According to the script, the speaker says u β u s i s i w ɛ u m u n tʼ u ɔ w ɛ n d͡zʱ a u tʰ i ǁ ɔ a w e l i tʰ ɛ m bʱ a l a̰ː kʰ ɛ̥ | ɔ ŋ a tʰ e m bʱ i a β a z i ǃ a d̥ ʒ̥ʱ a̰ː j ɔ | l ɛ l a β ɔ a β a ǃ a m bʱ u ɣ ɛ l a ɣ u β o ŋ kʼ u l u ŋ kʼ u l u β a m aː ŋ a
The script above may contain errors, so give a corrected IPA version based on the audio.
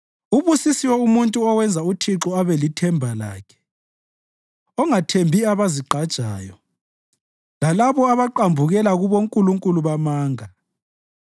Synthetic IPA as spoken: u β u s i s i w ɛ u m u n tʼ u ɔ w ɛ n d͡zʱ a u tʰ i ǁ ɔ a β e l i tʰ ɛ m bʱ a l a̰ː kʰ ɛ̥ | ɔ ŋ a tʰ e m bʱ i a β a z i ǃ a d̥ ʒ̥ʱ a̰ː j ɔ | l a l a β ɔ a β a ǃ a m bʱ u ɣ ɛ l a ɣ u β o ŋ kʼ u l u ŋ kʼ u l u β a m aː ŋ a